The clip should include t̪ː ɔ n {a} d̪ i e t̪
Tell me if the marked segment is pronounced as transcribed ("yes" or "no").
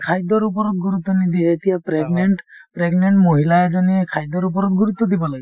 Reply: no